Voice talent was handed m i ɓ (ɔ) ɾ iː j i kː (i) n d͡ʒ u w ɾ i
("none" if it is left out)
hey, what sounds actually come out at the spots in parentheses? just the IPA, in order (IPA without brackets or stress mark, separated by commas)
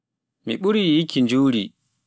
u, i